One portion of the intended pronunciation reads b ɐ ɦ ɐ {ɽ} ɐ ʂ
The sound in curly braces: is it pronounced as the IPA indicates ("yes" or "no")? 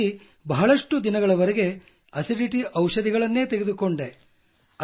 no